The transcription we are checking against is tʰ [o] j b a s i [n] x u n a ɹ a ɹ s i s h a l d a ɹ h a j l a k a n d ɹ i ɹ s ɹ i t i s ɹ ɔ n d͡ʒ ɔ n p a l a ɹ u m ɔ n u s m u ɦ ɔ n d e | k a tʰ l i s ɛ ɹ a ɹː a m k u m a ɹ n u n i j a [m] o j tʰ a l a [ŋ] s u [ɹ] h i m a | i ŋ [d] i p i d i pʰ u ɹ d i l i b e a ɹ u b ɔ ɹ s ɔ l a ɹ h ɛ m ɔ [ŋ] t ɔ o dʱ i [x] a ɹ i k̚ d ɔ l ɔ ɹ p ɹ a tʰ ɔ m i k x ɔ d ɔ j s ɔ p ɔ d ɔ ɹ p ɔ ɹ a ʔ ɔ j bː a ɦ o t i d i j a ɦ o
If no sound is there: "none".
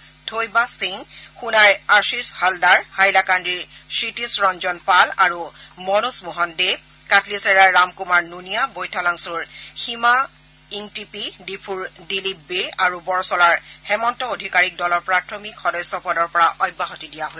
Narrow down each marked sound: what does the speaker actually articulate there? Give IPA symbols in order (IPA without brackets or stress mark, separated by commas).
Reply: o, ŋ, b, ŋ, ɹ, t, n, k